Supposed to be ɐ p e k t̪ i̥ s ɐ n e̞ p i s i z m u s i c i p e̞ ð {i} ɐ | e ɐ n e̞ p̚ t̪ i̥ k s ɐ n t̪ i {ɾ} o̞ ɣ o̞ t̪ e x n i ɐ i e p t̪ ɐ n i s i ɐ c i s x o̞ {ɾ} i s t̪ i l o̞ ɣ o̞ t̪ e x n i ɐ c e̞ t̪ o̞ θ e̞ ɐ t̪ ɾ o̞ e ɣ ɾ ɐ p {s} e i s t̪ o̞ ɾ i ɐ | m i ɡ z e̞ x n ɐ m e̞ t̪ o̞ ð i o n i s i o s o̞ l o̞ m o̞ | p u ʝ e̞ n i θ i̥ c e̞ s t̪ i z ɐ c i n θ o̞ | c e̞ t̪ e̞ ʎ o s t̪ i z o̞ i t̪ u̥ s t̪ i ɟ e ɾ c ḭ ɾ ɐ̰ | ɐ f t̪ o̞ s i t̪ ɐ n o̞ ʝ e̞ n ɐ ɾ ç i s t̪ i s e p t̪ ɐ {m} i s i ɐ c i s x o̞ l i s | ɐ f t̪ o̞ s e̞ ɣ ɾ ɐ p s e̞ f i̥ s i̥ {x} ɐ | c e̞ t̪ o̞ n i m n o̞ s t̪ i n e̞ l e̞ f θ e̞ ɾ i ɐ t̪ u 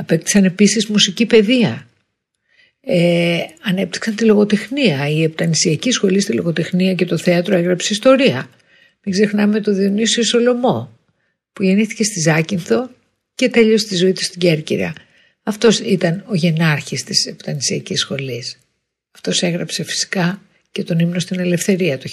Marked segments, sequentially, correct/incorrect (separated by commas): correct, incorrect, incorrect, correct, incorrect, incorrect